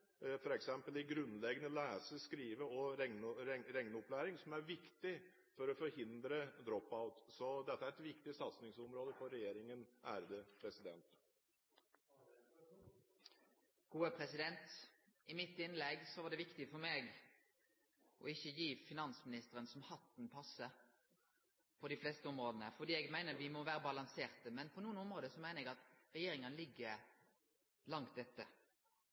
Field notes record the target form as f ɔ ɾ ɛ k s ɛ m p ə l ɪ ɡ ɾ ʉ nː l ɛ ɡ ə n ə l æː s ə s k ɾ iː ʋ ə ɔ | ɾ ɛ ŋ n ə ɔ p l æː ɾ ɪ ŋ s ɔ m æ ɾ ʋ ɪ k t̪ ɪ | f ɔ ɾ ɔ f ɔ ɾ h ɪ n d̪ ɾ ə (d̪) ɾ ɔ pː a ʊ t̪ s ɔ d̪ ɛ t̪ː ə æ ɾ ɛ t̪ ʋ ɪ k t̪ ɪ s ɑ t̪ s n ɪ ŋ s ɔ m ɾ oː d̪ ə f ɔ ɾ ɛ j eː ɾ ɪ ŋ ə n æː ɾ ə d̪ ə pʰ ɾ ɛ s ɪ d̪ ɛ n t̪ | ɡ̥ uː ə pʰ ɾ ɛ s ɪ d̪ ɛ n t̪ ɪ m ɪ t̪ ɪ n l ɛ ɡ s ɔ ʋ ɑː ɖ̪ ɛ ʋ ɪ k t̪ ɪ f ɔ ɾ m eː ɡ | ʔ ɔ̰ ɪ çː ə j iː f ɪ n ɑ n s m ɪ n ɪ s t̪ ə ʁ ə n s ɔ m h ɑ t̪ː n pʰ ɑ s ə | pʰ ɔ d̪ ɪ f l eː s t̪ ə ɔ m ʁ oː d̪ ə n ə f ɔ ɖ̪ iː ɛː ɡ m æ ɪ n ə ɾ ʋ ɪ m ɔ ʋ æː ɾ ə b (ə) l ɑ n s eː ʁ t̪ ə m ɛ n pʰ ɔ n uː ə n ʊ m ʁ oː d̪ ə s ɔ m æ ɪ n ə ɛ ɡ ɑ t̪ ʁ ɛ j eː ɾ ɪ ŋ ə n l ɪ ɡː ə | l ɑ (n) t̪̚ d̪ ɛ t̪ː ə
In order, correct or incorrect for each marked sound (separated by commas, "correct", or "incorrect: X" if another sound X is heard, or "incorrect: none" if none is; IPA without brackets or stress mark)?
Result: correct, incorrect: ɑ, incorrect: ŋ